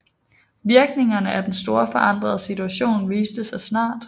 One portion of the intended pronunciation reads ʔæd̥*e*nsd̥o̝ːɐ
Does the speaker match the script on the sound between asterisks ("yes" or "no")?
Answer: yes